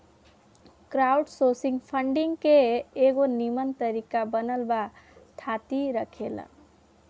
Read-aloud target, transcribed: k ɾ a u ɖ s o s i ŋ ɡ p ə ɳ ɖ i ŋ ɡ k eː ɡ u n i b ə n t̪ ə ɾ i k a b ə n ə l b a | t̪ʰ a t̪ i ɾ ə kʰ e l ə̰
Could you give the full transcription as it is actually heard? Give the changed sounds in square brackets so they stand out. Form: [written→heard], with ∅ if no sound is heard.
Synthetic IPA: k ɾ a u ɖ s o s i ŋ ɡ [p→pʰ] ə ɳ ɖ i ŋ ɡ k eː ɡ [u→o] n i [b→m] ə n t̪ ə ɾ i k a b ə n ə l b a | t̪ʰ a t̪ i ɾ ə kʰ e l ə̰